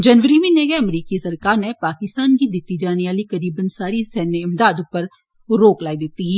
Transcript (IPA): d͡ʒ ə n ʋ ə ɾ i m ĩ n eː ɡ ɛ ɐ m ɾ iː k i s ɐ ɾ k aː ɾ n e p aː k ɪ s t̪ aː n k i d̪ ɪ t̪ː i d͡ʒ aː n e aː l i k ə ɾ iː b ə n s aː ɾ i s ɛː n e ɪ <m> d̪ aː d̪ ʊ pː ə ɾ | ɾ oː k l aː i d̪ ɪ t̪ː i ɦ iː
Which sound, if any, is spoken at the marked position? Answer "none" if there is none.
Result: m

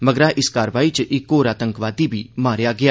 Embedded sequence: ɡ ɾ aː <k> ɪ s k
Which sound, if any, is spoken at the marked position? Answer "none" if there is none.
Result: ʔ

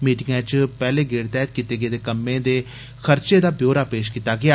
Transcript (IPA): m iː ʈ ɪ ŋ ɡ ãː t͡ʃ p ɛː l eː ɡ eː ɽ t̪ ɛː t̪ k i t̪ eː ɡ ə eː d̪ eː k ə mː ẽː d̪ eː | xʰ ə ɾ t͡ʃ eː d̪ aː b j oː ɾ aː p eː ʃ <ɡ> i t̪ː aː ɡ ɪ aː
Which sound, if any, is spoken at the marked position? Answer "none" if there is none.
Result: k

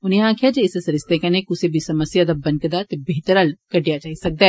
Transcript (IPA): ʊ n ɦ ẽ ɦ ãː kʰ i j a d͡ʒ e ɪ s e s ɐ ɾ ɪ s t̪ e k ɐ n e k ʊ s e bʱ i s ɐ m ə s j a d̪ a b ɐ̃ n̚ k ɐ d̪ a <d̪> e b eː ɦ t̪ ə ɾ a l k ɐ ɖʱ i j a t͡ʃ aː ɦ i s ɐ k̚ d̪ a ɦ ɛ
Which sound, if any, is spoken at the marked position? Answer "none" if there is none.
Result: t̪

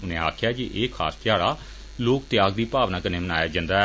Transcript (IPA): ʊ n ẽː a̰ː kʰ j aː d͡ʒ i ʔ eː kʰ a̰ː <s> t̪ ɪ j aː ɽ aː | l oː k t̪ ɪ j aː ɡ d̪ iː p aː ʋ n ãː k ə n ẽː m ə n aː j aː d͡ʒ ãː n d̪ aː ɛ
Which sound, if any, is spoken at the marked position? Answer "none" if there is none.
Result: s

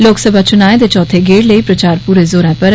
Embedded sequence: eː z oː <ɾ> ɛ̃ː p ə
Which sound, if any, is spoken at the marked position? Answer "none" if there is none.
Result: ɾ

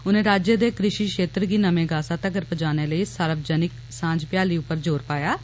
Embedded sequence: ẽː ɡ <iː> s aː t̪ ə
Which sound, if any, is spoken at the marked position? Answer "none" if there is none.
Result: aː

